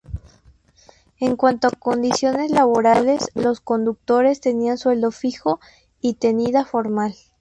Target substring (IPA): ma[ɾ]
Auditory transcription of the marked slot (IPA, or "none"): l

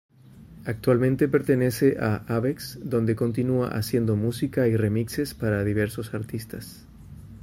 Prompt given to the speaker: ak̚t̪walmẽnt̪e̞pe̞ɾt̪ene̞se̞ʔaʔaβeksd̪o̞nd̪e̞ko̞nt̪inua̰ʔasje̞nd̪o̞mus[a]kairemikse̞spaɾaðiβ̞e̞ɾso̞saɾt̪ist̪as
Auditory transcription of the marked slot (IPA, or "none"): i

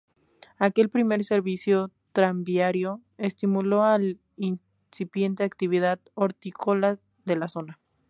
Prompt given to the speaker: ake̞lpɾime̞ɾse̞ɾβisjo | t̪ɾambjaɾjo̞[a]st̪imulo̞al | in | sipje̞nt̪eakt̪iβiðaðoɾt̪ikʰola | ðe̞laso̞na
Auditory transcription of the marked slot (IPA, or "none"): e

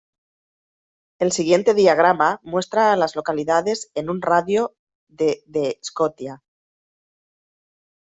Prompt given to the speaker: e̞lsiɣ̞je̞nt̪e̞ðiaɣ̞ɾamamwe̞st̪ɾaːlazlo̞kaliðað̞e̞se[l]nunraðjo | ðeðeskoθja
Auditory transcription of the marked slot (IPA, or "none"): none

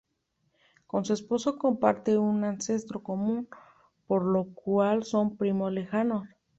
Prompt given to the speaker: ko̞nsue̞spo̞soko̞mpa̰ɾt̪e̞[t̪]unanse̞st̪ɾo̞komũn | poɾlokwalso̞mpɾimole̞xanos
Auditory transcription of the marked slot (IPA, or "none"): none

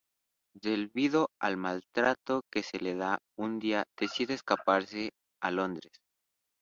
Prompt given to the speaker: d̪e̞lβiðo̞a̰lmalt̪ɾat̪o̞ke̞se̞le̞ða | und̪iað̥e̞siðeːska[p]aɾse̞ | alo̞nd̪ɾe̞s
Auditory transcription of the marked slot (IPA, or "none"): p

